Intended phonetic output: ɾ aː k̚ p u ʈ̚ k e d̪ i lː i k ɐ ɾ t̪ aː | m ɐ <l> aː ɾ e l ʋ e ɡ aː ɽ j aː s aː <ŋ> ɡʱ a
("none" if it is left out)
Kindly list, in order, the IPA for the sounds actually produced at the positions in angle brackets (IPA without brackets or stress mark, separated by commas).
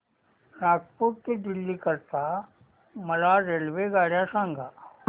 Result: l, ŋ